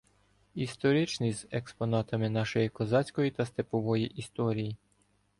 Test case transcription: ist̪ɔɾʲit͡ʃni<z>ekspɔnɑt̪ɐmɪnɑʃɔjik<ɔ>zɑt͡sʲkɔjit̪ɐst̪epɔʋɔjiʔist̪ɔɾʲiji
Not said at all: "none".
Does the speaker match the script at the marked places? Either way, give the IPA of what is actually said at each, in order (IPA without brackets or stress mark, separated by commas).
z, ɔ